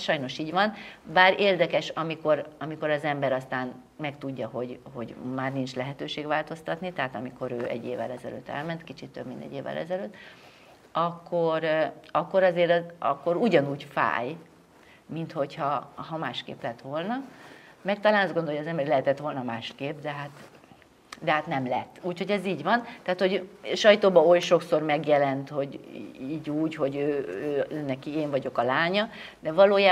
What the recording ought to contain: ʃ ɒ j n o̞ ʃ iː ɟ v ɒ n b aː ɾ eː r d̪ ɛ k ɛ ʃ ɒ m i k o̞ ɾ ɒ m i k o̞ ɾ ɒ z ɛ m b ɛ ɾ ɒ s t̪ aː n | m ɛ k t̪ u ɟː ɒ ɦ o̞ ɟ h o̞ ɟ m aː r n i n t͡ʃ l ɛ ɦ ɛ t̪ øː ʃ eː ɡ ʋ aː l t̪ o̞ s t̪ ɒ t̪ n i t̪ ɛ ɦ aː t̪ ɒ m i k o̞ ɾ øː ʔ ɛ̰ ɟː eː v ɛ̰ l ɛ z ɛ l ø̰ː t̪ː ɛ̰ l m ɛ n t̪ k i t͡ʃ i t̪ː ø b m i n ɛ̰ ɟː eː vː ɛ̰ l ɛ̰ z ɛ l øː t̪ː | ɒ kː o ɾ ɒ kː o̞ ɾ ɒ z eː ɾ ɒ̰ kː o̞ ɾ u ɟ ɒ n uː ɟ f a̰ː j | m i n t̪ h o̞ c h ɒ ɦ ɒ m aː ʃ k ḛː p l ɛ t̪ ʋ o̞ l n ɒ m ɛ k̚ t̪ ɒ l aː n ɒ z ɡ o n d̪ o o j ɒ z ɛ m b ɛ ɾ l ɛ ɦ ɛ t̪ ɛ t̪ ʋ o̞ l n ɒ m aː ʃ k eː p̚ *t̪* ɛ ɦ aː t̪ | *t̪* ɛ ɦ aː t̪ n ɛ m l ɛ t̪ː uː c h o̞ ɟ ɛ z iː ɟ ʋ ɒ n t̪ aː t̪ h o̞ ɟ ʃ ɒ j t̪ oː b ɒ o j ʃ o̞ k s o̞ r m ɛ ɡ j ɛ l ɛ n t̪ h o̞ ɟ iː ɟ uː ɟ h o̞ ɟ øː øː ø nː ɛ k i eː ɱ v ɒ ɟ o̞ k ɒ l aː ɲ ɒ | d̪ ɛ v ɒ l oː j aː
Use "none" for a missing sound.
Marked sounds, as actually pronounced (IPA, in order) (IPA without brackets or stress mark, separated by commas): d̪, d̪